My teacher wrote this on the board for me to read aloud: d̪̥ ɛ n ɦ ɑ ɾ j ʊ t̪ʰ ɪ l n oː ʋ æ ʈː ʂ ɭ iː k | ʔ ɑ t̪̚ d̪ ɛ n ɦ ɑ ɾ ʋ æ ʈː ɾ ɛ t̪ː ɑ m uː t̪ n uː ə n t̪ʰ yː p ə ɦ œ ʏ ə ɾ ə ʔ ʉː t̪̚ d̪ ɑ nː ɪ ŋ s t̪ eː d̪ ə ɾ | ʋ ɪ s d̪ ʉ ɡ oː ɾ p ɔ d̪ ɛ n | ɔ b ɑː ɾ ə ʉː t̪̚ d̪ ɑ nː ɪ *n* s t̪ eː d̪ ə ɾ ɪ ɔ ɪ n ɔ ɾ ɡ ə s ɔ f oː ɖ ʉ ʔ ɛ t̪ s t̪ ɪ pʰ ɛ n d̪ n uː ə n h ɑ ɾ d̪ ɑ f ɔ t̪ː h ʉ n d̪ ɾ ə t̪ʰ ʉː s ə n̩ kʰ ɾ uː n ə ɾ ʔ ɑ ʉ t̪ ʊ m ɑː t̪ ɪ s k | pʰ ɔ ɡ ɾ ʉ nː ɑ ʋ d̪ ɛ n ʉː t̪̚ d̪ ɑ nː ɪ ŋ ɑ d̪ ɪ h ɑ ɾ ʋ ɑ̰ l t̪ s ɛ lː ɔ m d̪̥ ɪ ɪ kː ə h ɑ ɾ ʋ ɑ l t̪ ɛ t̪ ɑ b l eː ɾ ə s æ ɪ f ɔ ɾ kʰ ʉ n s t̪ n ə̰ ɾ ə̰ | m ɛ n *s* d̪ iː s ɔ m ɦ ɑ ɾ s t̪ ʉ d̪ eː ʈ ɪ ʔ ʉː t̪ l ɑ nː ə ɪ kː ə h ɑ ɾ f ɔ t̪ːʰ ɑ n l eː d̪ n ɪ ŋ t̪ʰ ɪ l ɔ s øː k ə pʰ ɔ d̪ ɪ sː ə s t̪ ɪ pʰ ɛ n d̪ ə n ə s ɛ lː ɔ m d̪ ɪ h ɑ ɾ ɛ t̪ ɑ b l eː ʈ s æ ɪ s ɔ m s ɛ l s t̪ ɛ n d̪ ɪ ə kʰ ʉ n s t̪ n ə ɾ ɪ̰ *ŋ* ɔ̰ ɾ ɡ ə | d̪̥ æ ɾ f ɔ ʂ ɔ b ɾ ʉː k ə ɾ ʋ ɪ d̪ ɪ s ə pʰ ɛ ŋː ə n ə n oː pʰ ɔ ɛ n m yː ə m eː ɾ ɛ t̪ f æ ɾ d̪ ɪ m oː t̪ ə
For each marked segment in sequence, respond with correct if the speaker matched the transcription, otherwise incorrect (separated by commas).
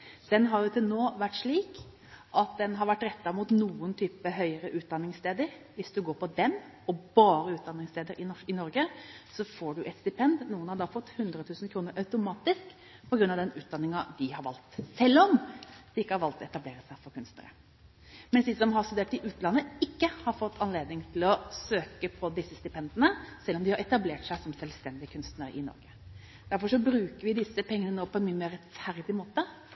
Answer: incorrect, correct, incorrect